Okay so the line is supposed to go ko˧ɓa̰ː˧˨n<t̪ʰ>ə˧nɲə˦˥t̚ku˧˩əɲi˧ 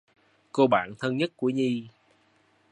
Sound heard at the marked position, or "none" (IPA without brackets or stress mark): t̪ʰ